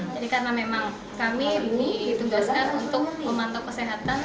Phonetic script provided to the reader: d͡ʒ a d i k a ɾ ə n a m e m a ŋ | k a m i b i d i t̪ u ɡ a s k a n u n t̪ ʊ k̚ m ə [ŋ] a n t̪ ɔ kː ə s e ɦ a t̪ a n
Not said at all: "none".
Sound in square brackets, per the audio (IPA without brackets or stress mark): m